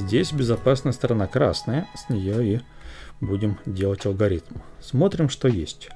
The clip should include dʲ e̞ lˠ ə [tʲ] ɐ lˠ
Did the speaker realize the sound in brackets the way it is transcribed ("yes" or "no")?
yes